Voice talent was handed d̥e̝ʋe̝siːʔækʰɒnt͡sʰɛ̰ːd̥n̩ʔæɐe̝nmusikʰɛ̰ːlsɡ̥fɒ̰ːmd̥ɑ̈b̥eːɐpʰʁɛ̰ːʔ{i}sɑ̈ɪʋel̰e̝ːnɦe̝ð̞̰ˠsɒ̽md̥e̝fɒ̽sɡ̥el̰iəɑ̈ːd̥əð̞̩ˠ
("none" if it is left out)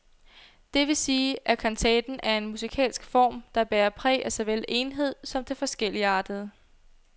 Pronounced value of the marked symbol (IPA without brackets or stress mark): æ